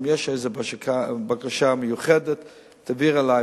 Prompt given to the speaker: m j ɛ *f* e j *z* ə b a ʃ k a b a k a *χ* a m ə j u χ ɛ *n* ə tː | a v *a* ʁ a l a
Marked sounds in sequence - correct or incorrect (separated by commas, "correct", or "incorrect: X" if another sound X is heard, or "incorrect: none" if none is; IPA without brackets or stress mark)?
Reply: incorrect: ʃ, correct, incorrect: ʃ, incorrect: d, incorrect: i